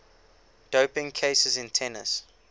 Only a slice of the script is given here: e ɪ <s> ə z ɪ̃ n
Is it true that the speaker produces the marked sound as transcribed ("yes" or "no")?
yes